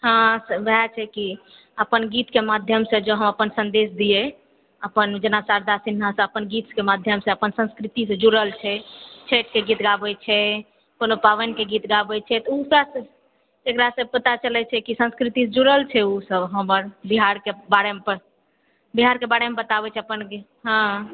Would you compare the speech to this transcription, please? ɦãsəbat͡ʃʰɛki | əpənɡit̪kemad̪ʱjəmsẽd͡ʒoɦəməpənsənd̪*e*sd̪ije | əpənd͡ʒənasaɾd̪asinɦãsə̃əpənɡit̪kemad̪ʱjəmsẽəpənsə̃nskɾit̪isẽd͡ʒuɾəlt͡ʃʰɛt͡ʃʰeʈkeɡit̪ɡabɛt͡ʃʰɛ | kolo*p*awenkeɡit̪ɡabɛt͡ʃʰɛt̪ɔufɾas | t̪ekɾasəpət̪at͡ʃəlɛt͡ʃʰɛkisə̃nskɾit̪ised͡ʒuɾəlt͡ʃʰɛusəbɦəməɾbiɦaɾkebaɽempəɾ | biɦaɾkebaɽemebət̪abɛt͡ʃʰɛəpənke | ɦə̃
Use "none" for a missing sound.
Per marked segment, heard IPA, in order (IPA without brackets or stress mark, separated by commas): e, p